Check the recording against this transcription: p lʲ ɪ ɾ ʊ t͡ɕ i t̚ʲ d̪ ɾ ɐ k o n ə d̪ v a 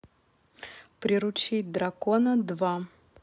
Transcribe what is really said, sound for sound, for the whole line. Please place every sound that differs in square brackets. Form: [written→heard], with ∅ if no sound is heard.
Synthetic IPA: p [lʲ→ɾʲ] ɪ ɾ ʊ t͡ɕ i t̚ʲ d̪ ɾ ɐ k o n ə d̪ v a